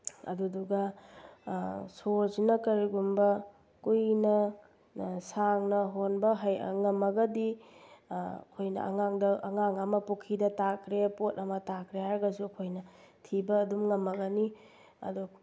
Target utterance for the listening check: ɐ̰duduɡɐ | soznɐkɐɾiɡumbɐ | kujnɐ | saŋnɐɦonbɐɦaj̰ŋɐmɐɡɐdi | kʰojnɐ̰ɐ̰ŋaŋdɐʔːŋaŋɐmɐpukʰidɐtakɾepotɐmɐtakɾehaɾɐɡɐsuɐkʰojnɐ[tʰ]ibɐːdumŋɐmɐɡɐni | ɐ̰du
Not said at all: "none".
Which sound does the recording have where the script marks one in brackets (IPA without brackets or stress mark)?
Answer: tʰ